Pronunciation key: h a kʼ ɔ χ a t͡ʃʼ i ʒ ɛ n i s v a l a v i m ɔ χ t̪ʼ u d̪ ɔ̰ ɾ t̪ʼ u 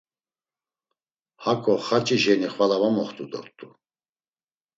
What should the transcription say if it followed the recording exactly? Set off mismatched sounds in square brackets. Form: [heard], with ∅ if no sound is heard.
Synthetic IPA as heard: h a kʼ ɔ χ a t͡ʃʼ i ʒ ɛ n i [χ] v a l a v [a] m ɔ χ t̪ʼ u d̪ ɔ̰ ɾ t̪ʼ u